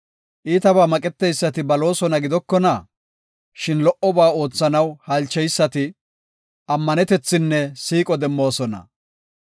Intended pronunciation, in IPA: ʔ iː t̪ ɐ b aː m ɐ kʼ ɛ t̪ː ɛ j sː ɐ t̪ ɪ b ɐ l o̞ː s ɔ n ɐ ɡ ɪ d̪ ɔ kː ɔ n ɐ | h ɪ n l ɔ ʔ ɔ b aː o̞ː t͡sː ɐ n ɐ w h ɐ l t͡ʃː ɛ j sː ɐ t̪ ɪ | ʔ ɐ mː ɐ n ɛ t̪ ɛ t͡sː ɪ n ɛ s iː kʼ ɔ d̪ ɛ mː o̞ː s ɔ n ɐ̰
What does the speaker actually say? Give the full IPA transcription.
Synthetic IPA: ʔ iː t̪ ɐ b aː m ɐ kʼ ɛ t̪ː ɛ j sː ɐ t̪ ɪ b ɐ l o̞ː s ɔ n ɐ ɡ ɪ d̪ ɔ kː ɔ n ɐ | ʃ ɪ n l ɔ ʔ ɔ b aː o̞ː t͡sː ɐ n ɐ w h ɐ l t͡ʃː ɛ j sː ɐ t̪ ɪ | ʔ ɐ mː ɐ n ɛ t̪ ɛ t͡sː ɪ nː ɛ s iː kʼ ɔ d̪ ɛ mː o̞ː s ɔ n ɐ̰